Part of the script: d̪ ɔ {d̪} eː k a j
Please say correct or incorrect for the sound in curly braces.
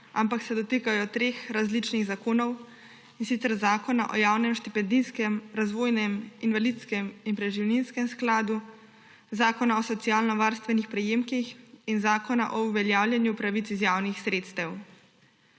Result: incorrect